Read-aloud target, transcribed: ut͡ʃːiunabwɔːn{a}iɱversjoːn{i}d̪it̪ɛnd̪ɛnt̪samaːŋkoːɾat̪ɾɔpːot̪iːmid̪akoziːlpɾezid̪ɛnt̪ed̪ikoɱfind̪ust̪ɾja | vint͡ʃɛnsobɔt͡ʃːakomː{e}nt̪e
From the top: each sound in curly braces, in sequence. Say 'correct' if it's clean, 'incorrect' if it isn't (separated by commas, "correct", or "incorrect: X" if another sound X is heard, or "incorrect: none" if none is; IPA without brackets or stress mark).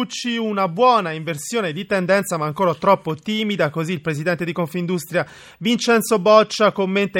correct, incorrect: e, correct